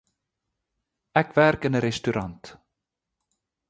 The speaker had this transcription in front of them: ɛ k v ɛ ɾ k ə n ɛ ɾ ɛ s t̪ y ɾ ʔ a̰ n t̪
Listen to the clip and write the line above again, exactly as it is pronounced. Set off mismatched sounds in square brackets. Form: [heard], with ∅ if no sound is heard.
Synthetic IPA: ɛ k v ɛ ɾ k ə n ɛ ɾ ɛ s t̪ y ɾ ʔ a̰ n t̪